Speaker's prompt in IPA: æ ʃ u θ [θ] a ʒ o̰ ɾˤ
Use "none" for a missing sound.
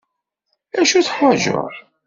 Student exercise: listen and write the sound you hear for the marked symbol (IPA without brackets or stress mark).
ħ